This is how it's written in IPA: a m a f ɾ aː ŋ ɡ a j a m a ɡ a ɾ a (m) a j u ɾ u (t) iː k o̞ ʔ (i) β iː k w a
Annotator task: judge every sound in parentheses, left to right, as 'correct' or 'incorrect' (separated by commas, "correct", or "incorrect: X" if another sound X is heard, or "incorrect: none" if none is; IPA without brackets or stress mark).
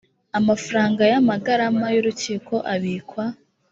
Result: correct, incorrect: c, incorrect: a